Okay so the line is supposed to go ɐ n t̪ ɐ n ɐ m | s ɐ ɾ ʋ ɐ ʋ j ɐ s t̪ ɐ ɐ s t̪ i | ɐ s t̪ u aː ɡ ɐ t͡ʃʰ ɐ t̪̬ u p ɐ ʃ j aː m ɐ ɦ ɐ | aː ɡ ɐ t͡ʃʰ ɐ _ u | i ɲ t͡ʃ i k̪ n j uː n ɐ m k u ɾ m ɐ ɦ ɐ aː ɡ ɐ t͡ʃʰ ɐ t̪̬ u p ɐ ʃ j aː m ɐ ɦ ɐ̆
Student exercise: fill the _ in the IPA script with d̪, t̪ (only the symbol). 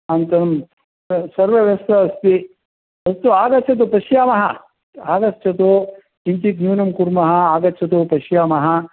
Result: t̪